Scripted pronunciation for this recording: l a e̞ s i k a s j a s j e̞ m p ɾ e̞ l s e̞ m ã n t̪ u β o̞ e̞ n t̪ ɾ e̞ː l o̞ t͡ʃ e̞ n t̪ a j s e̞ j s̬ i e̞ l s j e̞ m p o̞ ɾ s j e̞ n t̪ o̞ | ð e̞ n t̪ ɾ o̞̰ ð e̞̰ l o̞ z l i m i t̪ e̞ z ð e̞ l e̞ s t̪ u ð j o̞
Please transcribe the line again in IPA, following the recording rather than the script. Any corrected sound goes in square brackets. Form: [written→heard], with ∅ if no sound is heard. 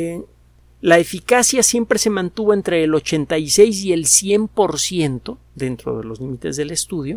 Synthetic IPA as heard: l a e̞ [s→f] i k a s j a s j e̞ m p ɾ e̞ [l→∅] s e̞ m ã n t̪ u β o̞ e̞ n t̪ ɾ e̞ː l o̞ t͡ʃ e̞ n t̪ a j s e̞ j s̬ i e̞ l s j e̞ m p o̞ ɾ s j e̞ n t̪ o̞ | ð e̞ n t̪ ɾ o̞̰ ð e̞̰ l o̞ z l i m i t̪ e̞ z ð e̞ l e̞ s t̪ u ð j o̞